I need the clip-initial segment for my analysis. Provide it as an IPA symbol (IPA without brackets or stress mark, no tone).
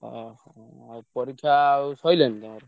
p